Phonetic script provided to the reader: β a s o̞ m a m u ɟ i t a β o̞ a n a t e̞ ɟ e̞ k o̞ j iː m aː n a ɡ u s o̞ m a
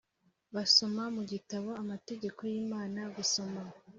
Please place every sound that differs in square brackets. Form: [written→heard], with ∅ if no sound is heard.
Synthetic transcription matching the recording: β a s o̞ m a m u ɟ i t a β o̞ a [n→m] a t e̞ ɟ e̞ k o̞ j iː m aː n a ɡ u s o̞ m a